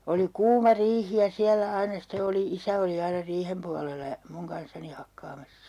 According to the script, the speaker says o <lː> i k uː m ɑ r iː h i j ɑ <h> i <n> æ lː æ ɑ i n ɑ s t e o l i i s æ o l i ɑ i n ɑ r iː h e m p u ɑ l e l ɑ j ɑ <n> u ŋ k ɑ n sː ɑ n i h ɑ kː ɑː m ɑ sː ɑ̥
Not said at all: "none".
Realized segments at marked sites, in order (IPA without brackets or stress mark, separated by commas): l, s, none, m